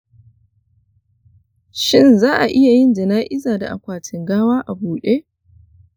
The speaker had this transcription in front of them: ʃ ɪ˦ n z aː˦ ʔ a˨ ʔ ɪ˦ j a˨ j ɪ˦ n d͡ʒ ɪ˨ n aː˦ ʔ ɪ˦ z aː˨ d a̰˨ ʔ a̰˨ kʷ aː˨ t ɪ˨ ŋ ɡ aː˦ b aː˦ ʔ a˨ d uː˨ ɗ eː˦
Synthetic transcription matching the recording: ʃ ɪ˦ n z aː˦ ʔ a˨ ʔ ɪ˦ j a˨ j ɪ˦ n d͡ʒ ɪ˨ n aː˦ ʔ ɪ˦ z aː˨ d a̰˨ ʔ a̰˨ kʷ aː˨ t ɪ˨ ŋ ɡ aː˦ w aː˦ ʔ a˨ b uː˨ ɗ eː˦